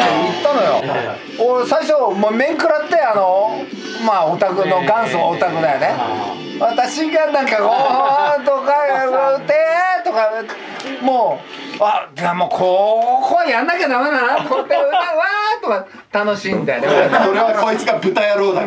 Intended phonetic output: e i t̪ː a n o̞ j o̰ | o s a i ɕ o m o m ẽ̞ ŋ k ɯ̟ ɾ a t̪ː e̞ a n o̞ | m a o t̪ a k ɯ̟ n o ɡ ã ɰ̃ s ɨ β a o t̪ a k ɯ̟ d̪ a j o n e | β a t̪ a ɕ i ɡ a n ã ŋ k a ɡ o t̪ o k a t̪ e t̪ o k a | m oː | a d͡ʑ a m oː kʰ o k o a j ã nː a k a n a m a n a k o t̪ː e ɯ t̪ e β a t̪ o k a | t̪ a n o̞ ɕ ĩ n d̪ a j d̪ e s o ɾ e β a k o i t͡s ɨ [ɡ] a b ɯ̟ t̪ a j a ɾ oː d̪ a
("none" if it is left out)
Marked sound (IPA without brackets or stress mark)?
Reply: ɡ